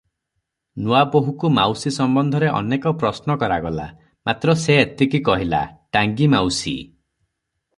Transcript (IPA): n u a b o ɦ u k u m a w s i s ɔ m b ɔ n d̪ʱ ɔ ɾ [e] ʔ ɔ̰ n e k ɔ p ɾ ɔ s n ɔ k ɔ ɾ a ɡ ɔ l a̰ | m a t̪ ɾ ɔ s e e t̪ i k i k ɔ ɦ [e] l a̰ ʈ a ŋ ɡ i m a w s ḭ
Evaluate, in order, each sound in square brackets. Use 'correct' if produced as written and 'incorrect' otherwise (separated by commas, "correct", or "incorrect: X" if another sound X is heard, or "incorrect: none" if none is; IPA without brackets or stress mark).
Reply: correct, incorrect: i